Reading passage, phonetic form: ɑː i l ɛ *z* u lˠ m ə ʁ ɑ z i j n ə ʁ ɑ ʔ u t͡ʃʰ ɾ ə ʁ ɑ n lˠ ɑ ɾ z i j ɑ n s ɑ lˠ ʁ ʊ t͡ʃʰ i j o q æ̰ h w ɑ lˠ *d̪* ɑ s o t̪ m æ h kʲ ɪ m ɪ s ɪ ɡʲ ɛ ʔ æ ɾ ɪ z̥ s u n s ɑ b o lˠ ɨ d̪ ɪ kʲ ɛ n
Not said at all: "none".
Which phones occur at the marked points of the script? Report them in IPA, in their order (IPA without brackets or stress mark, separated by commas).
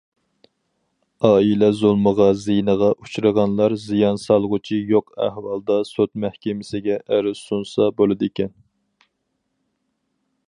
z, d̪